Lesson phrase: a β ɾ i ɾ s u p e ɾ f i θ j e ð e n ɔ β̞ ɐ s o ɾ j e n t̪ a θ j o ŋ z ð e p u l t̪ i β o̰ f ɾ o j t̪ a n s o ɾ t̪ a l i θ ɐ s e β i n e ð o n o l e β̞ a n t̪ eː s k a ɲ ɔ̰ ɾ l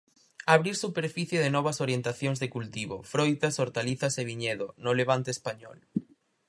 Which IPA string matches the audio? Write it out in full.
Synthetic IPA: a β ɾ i ɾ s u p e ɾ f i θ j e ð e n ɔ β̞ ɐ s o ɾ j e n t̪ a θ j o ŋ z ð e k u l t̪ i β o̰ f ɾ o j t̪ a s o ɾ t̪ a l i θ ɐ s e β i ɲ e ð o n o l e β̞ a n t̪ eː s p a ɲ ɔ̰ l